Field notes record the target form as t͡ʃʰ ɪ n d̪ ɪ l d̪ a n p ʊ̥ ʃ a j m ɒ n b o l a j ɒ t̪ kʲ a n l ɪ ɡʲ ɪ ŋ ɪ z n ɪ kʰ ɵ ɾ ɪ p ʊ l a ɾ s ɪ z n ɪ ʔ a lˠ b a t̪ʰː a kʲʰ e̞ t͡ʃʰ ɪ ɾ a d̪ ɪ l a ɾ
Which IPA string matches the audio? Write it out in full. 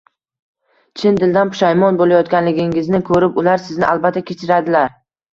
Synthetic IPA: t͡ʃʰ ɪ n d̪ ɪ l d̪ a n p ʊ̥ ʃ a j m ɒ n b o l a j ɒ t̪ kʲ a n l ɪ ɡʲ ɪ ŋ ɪ z n ɪ kʰ ɵ ɾ ɪ p ʊ l a ɾ s ɪ z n ɪ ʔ a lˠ b a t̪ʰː a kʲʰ e̞ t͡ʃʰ ɪ ɾ a d̪ ɪ l a ɾ

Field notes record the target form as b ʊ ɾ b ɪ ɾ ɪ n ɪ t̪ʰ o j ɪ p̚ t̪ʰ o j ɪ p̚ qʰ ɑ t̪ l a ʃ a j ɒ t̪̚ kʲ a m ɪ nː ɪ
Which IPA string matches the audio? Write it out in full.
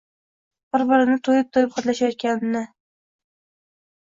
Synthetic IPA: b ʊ ɾ b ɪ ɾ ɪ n ɪ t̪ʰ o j ɪ p̚ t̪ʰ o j ɪ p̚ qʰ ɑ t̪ l a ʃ a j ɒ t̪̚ kʲ a n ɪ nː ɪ

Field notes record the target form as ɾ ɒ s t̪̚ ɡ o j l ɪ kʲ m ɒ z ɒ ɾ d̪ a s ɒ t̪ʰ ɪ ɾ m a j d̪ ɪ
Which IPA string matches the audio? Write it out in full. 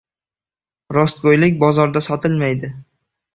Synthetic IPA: ɾ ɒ s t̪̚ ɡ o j l ɪ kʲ b ɒ z ɒ ɾ d̪ a s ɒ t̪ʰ ɪ l m a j d̪ ɪ

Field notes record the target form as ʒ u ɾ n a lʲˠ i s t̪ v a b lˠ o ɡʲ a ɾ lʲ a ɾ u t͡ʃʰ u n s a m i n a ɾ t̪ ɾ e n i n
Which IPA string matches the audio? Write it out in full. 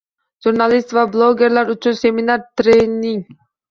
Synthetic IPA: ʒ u ɾ n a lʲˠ i s t̪ v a b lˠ o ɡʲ e ɾ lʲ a ɾ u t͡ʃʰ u n s e m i n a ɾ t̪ ɾ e n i ŋ

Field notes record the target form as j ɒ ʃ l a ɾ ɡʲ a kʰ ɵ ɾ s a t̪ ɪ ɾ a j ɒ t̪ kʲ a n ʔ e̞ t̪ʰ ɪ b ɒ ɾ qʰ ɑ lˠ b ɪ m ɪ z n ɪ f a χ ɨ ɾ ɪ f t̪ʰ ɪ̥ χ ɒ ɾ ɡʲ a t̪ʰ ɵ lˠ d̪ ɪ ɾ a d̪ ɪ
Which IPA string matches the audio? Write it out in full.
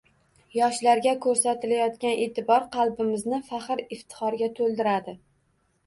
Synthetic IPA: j ɒ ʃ l a ɾ ɡʲ a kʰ ɵ ɾ s a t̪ ɪ l a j ɒ t̪ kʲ a n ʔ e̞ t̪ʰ ɪ b ɒ ɾ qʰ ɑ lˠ b ɪ m ɪ z n ɪ f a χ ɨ ɾ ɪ f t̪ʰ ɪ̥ χ ɒ ɾ ɡʲ a t̪ʰ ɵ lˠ d̪ ɪ ɾ a d̪ ɪ

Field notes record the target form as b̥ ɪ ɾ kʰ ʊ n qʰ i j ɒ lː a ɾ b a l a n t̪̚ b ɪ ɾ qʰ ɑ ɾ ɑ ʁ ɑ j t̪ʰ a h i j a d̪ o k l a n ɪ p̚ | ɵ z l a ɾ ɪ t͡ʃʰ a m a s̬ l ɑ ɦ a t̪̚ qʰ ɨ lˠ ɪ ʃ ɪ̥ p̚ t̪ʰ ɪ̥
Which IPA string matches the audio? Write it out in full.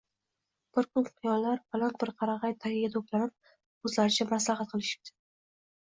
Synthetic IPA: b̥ ɪ ɾ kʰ ʊ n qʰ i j ɒ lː a ɾ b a l a n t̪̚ b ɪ ɾ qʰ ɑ ɾ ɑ ʁ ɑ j t̪ʰ a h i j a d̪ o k l a n ɪ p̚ | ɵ z l a ɾ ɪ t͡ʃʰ a m a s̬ l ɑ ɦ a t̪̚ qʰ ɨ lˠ ɪ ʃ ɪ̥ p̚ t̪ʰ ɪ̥

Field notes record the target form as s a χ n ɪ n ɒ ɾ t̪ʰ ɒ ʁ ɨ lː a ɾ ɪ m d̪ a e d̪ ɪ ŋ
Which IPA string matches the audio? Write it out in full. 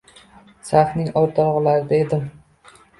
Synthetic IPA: s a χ n ɪ ŋ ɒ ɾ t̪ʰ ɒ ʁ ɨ l a ɾ ɪ d̪ a e d̪ ɪ m

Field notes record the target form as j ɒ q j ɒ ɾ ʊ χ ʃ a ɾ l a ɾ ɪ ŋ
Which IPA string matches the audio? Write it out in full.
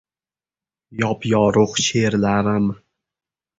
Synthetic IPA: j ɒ p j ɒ ɾ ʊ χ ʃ e ɾ l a ɾ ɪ m

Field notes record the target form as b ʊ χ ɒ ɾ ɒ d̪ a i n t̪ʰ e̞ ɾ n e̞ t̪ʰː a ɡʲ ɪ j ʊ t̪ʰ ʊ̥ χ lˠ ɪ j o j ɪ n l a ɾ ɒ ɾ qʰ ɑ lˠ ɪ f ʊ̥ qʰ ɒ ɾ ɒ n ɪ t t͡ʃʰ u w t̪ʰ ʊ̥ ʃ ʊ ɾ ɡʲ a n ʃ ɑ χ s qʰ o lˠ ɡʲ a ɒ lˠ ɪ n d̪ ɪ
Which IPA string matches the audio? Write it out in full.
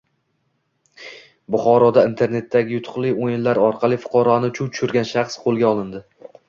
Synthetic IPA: b ʊ χ ɒ ɾ ɒ d̪ a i n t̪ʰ e̞ ɾ n e̞ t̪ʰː a ɡʲ ɪ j ʊ t̪ʰ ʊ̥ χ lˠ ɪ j o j ɪ n l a ɾ ɒ ɾ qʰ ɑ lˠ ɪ f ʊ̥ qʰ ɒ ɾ ɒ n ɪ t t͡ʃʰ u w t̪ʰ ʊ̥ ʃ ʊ ɾ ɡʲ a n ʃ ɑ χ s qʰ o lˠ ɡʲ a ɒ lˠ ɪ n d̪ ɪ

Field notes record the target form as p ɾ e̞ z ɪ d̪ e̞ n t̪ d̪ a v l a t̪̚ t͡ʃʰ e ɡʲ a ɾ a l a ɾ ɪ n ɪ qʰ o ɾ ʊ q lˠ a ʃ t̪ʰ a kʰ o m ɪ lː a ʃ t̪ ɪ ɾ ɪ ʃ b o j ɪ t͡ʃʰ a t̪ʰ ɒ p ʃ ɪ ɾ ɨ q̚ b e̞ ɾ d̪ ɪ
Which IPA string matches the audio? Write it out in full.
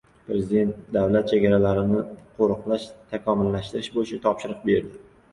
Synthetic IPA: p ɾ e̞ z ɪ d̪ e̞ n t̪ d̪ a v l a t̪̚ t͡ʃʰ e ɡʲ a ɾ a l a ɾ ɪ n ɪ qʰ o ɾ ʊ q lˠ a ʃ t̪ʰ a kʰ ɒ m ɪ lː a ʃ t̪ ɪ ɾ ɪ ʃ b o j ɪ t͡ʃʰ a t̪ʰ ɒ p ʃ ɪ ɾ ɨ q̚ b e̞ ɾ d̪ ɪ

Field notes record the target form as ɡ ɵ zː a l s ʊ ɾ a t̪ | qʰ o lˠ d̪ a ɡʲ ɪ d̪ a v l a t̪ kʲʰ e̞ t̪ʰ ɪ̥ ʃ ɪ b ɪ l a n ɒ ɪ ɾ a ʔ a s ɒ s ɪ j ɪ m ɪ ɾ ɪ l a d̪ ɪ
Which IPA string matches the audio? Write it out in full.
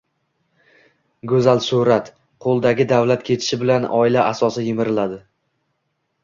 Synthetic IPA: ɡ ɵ z a l s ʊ ɾ a t̪ | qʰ o lˠ d̪ a ɡʲ ɪ d̪ a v l a t̪ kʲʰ e̞ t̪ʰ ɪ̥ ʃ ɪ b ɪ l a n ɒ ɪ l a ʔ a s ɒ s ɪ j ɪ m ɪ ɾ ɪ l a d̪ ɪ

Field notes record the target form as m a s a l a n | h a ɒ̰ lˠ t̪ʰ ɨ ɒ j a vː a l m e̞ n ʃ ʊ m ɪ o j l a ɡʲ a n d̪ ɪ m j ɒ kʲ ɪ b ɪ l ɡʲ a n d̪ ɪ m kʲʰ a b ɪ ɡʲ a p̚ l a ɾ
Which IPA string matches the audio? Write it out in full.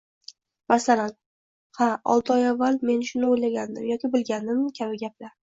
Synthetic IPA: m a s a l a n | h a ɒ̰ lˠ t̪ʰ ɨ ɒ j a vː a l m e̞ n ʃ ʊ n ɪ o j l a ɡʲ a n d̪ ɪ m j ɒ kʲ ɪ b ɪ l ɡʲ a n d̪ ɪ m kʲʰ a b ɪ ɡʲ a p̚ l a ɾ

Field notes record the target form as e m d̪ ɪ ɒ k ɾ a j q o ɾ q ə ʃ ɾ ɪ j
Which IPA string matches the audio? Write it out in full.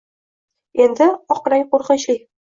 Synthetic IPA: e n d̪ ɪ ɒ q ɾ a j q o ɾ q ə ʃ l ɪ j

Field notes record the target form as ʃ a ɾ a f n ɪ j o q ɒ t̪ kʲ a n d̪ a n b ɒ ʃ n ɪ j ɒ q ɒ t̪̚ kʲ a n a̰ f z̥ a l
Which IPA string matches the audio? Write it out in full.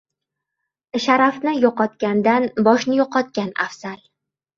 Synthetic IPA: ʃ a ɾ a f n ɪ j ɒ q ɒ t̪ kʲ a n d̪ a n b ɒ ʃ n ɪ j ɒ q ɒ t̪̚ kʲ a n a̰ f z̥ a l

